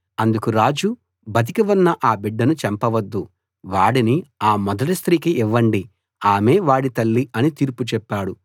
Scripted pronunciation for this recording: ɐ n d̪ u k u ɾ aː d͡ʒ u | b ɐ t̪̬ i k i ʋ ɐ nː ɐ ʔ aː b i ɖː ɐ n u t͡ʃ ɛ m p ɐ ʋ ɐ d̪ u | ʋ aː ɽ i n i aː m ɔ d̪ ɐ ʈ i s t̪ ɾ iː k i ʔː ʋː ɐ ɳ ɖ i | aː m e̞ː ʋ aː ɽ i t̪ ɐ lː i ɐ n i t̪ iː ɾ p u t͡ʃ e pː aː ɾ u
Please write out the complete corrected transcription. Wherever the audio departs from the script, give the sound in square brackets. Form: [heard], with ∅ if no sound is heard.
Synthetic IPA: ɐ n d̪ u k u ɾ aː d͡ʒ u | b ɐ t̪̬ i k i ʋ ɐ nː ɐ ʔ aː b i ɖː ɐ n u t͡ʃ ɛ m p ɐ ʋ ɐ [d̪ː] u | ʋ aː ɽ i n i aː m ɔ d̪ ɐ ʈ i s t̪ ɾ iː k i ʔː ʋː ɐ ɳ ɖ i | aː m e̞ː ʋ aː ɽ i t̪ ɐ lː i ɐ n i t̪ iː ɾ p u t͡ʃ [ɛ] pː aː [ɽ] u

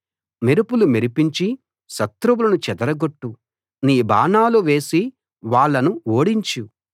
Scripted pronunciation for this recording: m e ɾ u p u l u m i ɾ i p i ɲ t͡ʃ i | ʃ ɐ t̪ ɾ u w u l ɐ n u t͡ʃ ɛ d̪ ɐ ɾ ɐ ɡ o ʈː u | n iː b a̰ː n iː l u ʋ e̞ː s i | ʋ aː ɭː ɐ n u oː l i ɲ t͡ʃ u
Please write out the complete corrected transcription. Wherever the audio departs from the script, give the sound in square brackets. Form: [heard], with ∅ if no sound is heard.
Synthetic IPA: m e ɾ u p u l u m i ɾ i p i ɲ t͡ʃ i | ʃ ɐ t̪ ɾ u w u l ɐ n u t͡ʃ ɛ d̪ ɐ ɾ ɐ ɡ o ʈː u | n iː b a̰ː n [aː] l u ʋ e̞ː s i | ʋ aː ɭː ɐ n u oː [ɽ] i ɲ t͡ʃ u

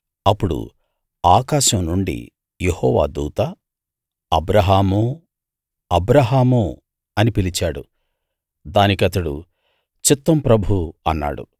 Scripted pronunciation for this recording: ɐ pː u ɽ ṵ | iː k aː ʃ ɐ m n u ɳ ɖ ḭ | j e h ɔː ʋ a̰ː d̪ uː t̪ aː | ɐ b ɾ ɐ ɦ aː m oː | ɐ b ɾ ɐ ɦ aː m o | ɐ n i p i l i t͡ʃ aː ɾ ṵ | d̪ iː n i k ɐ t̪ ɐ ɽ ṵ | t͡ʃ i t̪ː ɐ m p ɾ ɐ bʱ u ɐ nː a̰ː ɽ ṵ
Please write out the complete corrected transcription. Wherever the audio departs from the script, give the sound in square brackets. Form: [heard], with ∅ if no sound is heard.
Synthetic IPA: ɐ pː u ɽ ṵ | [aː] k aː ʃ ɐ m n u ɳ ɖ ḭ | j e h ɔː ʋ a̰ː d̪ uː t̪ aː | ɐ b ɾ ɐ ɦ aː m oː | ɐ b ɾ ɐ ɦ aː m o | ɐ n i p i l i t͡ʃ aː [ɽ] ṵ | d̪ [aː] n i k ɐ t̪ ɐ ɽ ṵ | t͡ʃ i t̪ː ɐ m p ɾ ɐ bʱ u ɐ nː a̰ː ɽ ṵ

